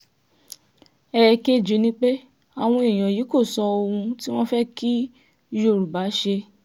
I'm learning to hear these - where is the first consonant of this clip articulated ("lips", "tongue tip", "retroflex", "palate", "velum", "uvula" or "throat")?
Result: velum